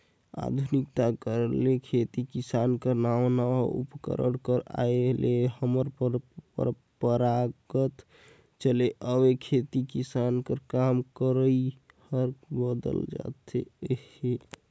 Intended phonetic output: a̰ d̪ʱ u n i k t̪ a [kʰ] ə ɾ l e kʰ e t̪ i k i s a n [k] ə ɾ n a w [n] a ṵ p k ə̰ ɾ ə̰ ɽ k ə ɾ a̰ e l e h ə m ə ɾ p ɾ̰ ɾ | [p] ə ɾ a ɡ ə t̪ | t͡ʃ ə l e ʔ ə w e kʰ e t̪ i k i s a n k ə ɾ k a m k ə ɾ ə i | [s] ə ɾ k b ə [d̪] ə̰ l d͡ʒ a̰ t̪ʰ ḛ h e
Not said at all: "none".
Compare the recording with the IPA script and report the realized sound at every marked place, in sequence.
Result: k, k, n, p, h, d̪

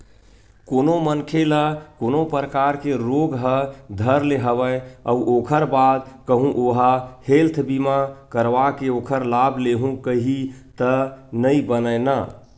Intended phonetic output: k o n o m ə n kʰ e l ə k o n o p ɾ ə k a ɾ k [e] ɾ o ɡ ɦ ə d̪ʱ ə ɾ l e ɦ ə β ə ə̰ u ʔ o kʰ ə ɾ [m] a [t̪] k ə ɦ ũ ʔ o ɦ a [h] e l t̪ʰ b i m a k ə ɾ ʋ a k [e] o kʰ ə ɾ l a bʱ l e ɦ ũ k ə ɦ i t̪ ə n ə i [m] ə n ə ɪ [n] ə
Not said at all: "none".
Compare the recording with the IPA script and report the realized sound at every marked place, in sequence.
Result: e, b, d̪, h, e, b, n

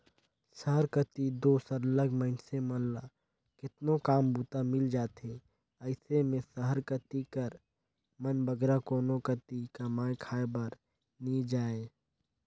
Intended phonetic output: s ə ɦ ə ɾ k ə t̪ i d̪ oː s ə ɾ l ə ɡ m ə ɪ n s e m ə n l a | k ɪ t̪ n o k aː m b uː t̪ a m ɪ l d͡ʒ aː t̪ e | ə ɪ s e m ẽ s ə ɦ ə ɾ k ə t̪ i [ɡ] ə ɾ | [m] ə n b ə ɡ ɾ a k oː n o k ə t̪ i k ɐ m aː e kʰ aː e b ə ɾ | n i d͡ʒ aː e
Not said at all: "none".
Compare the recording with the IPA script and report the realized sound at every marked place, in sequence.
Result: k, m

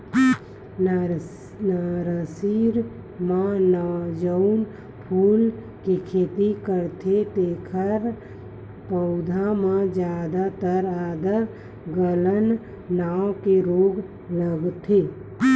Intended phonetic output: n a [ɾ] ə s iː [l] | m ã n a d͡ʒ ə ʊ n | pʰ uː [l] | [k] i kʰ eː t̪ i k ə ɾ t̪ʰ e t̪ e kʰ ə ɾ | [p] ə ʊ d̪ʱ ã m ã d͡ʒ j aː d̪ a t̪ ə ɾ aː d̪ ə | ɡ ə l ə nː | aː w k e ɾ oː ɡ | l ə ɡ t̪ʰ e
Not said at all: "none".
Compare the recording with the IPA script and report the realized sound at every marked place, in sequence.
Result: ɾ, ɾ, l, k, p

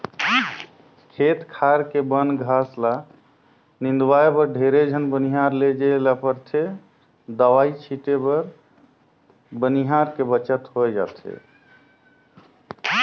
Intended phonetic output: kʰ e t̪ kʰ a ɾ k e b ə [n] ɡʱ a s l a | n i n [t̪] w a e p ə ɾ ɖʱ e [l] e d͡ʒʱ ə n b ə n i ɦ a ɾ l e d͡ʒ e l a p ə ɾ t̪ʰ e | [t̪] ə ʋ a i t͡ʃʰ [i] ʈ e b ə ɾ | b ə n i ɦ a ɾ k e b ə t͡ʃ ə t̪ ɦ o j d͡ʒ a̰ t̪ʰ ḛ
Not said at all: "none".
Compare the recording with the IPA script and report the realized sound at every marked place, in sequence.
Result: n, d̪, ɾ, d̪, i

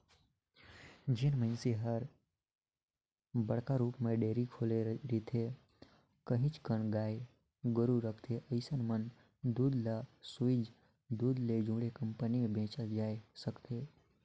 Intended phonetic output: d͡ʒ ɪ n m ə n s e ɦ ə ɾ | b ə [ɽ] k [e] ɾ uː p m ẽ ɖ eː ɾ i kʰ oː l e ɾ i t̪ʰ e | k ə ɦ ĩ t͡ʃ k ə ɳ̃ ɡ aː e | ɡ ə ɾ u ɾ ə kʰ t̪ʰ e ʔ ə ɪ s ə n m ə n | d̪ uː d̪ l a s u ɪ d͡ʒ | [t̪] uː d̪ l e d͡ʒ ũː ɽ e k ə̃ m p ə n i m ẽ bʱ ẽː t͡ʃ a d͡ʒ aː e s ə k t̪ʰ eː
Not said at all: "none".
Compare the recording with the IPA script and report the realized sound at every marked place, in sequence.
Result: ɽ, a, d̪

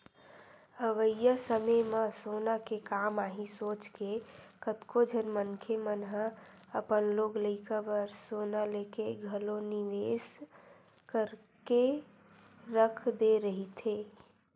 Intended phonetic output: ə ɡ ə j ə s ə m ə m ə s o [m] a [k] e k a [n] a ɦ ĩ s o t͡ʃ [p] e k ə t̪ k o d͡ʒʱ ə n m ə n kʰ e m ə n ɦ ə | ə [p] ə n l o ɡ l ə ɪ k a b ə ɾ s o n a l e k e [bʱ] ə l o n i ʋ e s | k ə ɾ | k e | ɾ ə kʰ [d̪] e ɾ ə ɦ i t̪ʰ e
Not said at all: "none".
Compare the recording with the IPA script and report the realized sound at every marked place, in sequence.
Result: n, k, m, k, p, ɡʱ, d̪

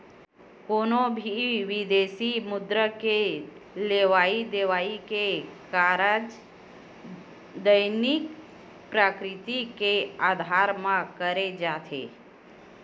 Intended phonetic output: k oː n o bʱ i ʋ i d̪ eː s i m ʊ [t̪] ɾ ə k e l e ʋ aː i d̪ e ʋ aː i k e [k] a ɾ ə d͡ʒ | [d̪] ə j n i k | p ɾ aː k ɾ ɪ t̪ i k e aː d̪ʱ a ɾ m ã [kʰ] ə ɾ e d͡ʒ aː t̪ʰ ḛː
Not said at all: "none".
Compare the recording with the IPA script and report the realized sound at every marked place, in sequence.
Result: d̪, k, d̪, k

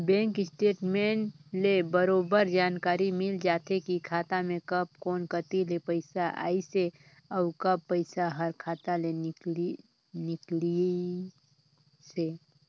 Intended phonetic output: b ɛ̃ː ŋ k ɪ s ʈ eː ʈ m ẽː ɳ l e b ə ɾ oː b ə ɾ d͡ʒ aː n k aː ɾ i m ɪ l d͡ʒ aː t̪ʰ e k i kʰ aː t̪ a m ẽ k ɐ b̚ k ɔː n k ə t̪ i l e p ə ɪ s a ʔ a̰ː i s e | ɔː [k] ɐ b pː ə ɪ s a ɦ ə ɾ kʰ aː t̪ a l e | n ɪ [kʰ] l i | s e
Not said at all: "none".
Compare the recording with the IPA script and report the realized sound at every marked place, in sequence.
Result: k, k

